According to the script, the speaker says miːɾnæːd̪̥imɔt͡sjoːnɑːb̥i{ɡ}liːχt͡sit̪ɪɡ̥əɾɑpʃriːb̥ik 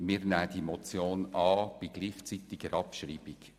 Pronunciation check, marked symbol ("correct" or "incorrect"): correct